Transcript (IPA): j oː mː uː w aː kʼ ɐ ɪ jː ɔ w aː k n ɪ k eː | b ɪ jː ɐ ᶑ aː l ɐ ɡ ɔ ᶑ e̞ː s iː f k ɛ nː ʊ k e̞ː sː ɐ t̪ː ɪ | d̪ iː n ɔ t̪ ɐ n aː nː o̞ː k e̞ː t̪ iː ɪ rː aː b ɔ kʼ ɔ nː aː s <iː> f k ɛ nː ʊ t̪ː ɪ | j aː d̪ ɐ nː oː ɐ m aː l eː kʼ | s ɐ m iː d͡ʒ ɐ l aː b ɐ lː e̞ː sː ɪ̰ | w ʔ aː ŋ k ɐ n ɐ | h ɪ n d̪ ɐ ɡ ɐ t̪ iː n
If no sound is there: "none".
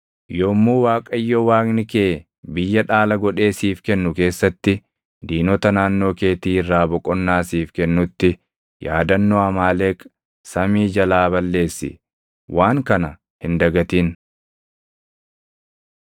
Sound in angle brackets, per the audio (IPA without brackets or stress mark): iː